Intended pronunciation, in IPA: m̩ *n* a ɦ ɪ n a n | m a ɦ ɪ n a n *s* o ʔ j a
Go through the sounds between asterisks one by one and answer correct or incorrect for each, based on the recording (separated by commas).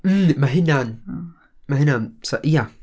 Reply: incorrect, correct